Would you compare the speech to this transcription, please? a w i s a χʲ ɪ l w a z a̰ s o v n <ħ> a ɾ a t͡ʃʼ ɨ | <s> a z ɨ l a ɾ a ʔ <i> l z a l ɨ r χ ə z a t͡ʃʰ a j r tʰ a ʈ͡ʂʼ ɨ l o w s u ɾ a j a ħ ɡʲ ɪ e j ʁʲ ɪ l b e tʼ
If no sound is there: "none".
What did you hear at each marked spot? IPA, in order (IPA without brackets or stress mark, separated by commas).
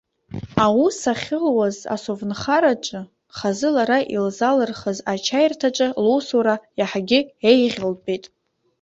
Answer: χ, χ, i